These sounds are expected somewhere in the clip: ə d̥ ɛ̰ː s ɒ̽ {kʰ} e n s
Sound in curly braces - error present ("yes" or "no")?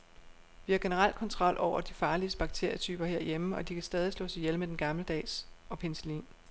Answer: yes